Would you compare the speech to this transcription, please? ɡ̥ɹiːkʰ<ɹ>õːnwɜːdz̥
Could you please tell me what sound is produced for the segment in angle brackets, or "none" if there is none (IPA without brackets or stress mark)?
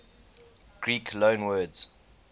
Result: l